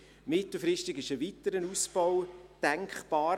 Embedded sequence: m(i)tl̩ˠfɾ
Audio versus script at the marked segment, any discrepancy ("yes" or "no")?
yes